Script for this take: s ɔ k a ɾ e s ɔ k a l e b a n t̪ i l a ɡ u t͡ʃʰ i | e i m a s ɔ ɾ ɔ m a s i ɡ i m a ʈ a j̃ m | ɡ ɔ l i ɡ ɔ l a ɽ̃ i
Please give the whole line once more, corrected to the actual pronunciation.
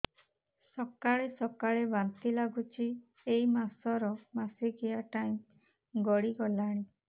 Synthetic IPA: s ɔ k a ɭ e s ɔ k a ɭ e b a n t̪ i l a ɡ u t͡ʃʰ i | e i m a s ɔ ɾ ɔ m a s i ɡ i a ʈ a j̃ m | ɡ ɔ ɽ i ɡ ɔ l a ɽ̃ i